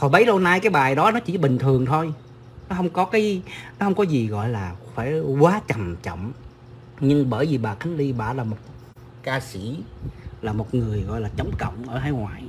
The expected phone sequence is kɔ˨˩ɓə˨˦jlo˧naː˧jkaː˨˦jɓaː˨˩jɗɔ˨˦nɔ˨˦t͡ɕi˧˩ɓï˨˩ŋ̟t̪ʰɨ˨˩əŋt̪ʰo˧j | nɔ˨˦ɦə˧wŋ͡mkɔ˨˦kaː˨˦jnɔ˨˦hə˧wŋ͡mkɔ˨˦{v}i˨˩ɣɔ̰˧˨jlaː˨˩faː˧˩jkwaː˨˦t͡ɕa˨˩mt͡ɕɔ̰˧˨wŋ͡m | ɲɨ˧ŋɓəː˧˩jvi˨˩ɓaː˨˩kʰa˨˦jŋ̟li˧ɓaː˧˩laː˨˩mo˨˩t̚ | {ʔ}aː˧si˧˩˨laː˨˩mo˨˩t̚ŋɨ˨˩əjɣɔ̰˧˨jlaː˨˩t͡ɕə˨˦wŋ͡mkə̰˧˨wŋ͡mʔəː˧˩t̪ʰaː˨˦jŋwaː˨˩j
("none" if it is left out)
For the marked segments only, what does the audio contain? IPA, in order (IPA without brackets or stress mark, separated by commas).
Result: z, k